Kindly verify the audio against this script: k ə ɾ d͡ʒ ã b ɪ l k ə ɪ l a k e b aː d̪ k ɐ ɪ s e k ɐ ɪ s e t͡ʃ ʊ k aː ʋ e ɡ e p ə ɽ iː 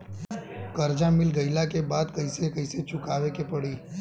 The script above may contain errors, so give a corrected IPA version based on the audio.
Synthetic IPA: k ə ɾ d͡ʒ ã m ɪ l ɡ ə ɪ l a k e b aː d̪ k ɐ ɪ s e k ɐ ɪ s e t͡ʃ ʊ k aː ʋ e k e p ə ɽ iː